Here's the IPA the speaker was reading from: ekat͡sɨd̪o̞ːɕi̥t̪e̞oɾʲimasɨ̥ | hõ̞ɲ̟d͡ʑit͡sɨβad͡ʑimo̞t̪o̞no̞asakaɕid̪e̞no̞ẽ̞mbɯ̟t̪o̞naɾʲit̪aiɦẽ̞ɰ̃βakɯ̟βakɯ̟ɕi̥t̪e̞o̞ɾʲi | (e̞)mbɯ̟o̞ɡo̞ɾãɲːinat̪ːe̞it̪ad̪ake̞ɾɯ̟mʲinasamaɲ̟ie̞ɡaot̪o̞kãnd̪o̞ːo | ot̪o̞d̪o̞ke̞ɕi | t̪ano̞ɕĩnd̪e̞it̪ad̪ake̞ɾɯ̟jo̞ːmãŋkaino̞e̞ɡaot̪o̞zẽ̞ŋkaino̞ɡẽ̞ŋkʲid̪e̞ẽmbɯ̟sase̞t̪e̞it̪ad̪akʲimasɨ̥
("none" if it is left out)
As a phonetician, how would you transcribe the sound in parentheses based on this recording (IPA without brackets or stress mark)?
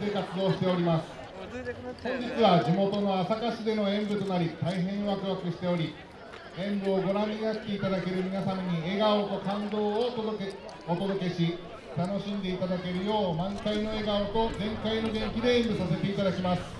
ẽ̞